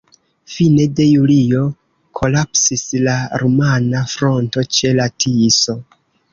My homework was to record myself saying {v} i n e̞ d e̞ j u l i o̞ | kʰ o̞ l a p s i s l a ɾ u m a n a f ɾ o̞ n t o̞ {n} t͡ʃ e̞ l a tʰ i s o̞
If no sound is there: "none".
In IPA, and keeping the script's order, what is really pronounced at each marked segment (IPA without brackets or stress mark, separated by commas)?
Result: f, none